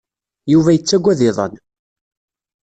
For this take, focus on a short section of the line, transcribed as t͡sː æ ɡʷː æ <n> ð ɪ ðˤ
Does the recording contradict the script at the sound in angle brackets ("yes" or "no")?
yes